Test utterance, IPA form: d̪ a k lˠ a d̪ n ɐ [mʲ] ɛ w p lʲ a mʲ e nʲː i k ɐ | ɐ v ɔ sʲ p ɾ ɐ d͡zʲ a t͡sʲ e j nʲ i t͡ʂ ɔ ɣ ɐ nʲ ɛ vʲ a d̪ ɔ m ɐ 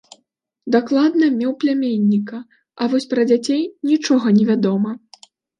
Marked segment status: correct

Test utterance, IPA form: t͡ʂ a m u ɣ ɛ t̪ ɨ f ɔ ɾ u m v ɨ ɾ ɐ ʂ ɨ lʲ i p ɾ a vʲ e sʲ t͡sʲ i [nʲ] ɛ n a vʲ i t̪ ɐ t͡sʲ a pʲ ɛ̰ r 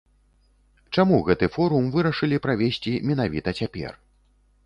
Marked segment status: incorrect: mʲ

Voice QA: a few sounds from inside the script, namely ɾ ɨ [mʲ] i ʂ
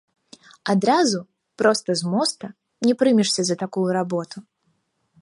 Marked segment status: correct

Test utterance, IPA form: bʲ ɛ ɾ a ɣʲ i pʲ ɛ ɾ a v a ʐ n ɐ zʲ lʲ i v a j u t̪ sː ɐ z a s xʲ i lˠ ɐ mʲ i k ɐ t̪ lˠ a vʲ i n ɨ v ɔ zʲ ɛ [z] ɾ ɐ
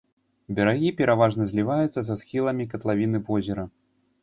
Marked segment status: incorrect: none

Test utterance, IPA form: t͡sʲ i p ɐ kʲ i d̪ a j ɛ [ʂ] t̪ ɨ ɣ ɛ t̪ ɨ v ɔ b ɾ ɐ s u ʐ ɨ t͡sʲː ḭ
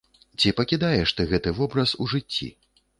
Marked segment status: correct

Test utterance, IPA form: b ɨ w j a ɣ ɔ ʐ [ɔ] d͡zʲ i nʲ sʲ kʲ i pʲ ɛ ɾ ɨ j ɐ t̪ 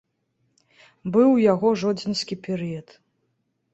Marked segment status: correct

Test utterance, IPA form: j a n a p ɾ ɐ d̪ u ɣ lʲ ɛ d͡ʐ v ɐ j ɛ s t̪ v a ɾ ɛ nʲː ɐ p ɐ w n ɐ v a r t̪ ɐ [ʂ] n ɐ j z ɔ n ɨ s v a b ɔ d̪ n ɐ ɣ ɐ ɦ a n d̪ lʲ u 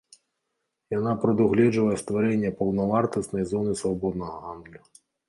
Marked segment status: incorrect: s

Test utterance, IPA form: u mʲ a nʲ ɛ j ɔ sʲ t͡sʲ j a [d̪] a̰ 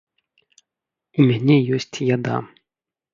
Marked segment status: correct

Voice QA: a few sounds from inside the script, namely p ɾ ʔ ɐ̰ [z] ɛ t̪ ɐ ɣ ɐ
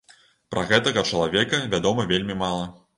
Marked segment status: incorrect: ɣ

